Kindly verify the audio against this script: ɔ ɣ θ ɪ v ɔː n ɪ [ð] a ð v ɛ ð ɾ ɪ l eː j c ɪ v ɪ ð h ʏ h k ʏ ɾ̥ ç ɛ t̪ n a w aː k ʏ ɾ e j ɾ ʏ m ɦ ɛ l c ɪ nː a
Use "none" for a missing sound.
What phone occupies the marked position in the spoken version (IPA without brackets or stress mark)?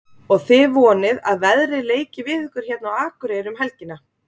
ð